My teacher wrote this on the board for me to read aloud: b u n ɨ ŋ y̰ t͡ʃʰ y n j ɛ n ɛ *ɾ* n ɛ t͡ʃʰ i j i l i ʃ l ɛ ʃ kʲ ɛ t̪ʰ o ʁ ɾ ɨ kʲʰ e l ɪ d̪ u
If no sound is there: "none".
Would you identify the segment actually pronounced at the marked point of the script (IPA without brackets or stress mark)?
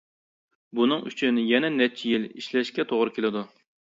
none